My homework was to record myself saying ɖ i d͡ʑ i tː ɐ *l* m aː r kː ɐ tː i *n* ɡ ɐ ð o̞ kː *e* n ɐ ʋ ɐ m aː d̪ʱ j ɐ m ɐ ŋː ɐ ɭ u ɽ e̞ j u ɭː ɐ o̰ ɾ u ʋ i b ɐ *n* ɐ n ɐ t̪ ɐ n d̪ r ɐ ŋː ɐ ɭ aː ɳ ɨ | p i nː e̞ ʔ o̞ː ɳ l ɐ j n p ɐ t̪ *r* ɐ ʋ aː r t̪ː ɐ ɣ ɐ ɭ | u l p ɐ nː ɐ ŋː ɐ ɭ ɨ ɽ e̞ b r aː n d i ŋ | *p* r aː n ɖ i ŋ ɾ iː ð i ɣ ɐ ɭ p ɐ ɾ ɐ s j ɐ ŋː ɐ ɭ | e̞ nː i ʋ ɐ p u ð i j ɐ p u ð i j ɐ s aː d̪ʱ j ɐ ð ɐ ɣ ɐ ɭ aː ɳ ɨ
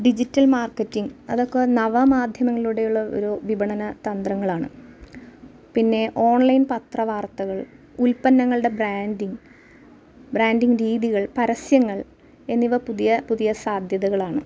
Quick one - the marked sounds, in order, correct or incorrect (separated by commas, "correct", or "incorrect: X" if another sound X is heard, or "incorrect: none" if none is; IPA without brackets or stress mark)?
correct, incorrect: ŋ, correct, incorrect: ɳ, correct, incorrect: b